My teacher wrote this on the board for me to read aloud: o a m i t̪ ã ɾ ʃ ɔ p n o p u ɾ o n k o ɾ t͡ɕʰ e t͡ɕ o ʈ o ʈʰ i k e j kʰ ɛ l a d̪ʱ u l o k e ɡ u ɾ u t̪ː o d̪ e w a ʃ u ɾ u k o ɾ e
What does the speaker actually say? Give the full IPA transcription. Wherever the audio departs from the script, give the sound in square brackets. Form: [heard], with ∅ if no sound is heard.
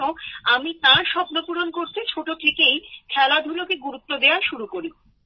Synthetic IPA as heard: o a m i t̪ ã ɾ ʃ ɔ p n o p u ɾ o n k o ɾ t͡ɕʰ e [t͡ɕʰ] o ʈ o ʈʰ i k e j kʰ ɛ l a d̪ʱ u l o k e ɡ u ɾ u t̪ː o d̪ e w a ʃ u ɾ u k o ɾ [i]